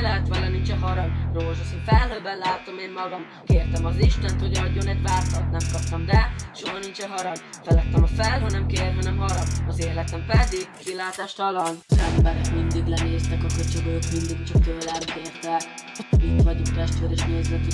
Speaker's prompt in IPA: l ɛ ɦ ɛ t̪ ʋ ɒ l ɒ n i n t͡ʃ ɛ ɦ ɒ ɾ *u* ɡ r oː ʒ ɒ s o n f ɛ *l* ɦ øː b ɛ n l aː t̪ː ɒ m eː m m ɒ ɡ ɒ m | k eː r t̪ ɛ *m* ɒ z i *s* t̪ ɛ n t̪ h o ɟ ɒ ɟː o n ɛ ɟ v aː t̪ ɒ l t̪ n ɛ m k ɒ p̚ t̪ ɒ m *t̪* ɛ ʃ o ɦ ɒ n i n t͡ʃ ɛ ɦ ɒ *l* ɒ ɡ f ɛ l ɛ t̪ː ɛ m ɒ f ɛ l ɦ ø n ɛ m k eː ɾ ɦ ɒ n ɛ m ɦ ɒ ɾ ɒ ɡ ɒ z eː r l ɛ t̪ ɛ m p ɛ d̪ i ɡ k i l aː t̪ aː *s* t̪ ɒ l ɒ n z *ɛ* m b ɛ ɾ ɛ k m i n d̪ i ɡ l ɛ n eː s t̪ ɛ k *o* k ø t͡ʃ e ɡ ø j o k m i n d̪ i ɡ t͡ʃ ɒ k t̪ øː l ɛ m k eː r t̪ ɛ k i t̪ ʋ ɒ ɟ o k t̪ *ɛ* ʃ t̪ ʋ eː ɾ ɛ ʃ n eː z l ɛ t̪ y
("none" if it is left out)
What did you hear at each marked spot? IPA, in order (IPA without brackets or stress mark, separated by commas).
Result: ɒ, l, m, ʃ, d̪, ɾ, ʃ, ɛ, ɒ, ɛ